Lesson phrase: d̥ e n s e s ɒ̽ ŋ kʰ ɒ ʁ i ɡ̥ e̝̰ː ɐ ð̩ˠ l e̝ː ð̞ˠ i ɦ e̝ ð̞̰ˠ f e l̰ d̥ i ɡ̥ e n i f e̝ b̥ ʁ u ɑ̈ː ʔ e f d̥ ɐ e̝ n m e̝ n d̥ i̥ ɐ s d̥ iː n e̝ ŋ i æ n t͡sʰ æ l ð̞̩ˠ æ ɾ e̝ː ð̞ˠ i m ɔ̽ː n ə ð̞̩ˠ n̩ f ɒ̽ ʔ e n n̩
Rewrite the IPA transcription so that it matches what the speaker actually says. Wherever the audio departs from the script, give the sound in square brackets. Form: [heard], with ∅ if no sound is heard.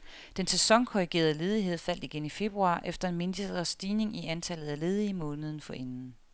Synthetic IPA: d̥ e n s e s ɒ̽ ŋ kʰ ɒ ʁ i ɡ̥ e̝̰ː ɐ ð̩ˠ l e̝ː ð̞ˠ i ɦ e̝ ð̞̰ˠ f [æ] l̰ d̥ i ɡ̥ e n i f e̝ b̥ ʁ u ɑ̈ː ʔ e f d̥ ɐ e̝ n m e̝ n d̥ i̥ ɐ s d̥ iː n e̝ ŋ i æ n t͡sʰ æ l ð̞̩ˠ æ [l] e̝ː ð̞ˠ i m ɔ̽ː n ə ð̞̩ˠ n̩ f ɒ̽ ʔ e n n̩